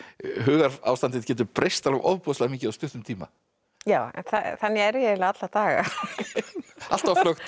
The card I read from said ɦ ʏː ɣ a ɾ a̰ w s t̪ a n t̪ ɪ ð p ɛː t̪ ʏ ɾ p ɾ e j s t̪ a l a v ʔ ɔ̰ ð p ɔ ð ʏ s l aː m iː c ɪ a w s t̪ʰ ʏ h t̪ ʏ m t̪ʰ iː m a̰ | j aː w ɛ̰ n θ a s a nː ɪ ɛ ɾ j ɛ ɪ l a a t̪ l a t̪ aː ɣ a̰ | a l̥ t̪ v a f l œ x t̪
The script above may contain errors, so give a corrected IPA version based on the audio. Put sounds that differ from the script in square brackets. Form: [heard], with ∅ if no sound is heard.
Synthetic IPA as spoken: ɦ ʏː ɣ a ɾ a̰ w s t̪ a n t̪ ɪ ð [c] ɛː t̪ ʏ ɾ p ɾ e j s t̪ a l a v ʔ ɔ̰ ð p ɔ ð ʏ s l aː m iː c ɪ a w s [t̪] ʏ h t̪ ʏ m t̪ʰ iː m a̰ | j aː w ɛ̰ n θ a [θ] a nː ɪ ɛ ɾ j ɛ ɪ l a a t̪ l a t̪ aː ɣ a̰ | a l̥ t̪ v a f l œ x t̪